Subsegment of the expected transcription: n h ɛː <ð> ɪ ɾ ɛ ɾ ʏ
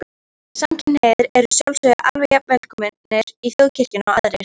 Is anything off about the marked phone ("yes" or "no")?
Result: no